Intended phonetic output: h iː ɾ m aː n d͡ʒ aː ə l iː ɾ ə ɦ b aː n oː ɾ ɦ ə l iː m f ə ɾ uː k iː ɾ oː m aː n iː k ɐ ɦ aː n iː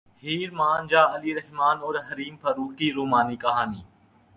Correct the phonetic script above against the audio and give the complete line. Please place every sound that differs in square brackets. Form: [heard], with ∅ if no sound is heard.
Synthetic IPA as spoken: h iː ɾ m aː n d͡ʒ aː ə l iː ɾ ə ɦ [m] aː n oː ɾ ɦ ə [ɾ] iː m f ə ɾ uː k iː ɾ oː m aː n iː k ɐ ɦ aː n iː